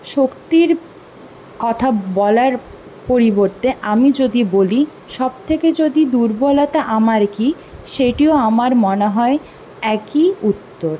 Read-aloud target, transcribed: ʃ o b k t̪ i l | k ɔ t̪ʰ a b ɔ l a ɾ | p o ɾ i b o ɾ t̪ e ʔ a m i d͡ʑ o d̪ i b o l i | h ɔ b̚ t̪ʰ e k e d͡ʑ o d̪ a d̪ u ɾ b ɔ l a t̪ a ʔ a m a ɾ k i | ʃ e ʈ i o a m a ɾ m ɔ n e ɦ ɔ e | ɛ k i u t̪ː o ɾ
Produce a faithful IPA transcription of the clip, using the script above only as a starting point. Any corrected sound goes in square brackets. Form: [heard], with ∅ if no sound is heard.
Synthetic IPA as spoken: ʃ o [∅] k t̪ i [ɾ] | k ɔ t̪ʰ a b ɔ l a ɾ | p o ɾ i b o ɾ t̪ e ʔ a m i d͡ʑ o d̪ i b o l i | [ʃ] ɔ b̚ t̪ʰ e k e d͡ʑ o d̪ [i] d̪ u ɾ b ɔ l a t̪ a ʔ a m a ɾ k i | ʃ e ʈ i o a m a ɾ m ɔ n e ɦ ɔ e | ɛ k i u t̪ː o ɾ